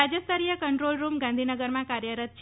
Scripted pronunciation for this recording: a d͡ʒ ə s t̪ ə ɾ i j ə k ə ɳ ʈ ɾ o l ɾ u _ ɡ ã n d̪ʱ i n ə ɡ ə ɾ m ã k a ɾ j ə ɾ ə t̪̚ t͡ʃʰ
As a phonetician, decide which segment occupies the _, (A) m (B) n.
A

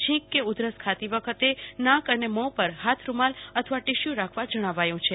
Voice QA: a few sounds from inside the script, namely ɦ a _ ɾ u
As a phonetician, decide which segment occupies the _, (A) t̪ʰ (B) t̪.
A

